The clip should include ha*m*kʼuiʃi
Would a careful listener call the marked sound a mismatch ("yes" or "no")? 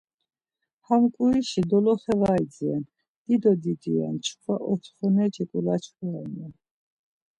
no